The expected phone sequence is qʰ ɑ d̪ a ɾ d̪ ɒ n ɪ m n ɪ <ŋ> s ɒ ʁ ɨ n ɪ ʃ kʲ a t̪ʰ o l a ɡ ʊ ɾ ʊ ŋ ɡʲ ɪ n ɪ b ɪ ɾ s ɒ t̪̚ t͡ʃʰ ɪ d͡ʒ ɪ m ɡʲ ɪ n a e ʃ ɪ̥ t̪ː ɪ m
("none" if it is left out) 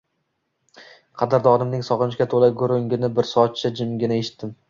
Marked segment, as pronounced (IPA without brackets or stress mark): ŋ